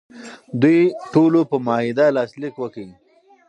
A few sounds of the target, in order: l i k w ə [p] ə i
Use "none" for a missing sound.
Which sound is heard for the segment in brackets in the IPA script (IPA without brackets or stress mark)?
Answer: k